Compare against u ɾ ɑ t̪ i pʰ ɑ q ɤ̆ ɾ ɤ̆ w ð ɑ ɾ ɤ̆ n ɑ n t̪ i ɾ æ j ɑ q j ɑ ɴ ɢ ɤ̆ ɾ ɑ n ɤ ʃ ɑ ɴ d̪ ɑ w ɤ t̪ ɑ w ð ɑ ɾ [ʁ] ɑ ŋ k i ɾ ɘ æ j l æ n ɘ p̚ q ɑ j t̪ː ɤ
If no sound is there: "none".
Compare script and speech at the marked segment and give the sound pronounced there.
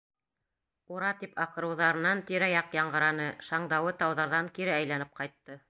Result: ð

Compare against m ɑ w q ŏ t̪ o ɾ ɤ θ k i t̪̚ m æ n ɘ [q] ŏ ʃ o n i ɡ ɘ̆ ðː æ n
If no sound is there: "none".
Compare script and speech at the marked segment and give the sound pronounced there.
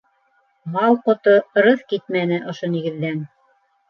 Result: ʔ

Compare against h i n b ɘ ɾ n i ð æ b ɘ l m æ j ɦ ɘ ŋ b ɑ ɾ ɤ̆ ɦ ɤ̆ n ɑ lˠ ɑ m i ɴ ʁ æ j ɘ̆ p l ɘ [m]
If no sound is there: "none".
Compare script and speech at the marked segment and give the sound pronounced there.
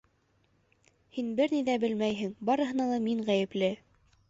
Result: none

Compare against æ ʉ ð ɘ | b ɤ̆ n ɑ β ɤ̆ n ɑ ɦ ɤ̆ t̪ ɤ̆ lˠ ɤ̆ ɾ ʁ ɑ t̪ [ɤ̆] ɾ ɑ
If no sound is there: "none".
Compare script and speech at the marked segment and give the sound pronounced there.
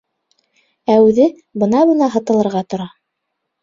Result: ŏ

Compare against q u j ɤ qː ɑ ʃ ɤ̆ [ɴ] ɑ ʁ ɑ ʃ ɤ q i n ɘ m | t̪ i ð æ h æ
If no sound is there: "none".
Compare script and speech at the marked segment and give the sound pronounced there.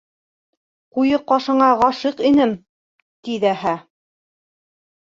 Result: ɴ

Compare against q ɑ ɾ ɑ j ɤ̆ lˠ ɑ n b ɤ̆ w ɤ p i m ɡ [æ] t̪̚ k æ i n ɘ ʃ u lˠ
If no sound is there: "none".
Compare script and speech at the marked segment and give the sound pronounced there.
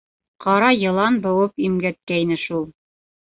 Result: æ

